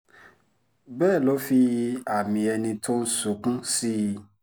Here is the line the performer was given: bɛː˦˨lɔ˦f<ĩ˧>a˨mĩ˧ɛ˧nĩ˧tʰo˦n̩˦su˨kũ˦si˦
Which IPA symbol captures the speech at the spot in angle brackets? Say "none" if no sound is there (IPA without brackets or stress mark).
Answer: i˧